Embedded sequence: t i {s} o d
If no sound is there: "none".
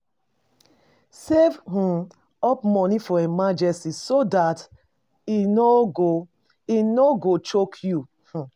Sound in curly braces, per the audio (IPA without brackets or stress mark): s